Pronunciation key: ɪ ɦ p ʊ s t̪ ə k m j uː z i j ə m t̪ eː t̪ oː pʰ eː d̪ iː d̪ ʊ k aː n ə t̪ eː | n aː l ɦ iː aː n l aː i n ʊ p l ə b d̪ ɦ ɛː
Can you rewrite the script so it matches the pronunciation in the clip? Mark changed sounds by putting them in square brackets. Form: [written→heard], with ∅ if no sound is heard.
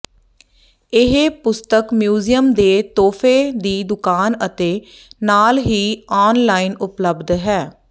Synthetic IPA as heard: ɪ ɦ p ʊ s t̪ ə k m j uː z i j ə m [t̪→d̪] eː t̪ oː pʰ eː d̪ iː d̪ ʊ k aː n ə t̪ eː | n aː l ɦ iː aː n l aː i n ʊ p l ə b d̪ ɦ ɛː